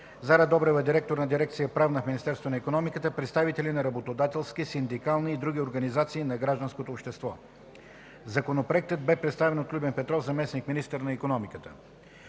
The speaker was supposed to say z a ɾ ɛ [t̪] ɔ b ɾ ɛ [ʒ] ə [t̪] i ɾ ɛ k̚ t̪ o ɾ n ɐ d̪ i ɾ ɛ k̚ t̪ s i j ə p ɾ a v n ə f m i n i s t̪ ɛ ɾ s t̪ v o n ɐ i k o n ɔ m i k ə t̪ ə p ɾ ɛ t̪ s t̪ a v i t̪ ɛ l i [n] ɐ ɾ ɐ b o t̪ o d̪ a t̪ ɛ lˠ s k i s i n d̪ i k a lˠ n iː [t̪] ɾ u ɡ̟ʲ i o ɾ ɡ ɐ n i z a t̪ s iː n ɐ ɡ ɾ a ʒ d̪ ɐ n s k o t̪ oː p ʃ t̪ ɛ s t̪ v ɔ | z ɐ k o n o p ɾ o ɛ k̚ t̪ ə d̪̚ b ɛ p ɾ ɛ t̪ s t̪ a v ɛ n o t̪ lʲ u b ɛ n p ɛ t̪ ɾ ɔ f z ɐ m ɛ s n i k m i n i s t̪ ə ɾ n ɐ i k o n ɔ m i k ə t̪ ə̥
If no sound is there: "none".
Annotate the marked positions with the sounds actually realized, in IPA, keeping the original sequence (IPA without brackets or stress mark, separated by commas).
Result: d̪, v, d̪, n, d̪